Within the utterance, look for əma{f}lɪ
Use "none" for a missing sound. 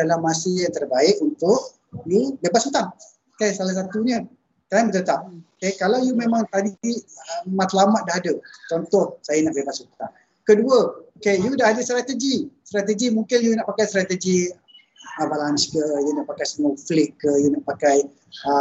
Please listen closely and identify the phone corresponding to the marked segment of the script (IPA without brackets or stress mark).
f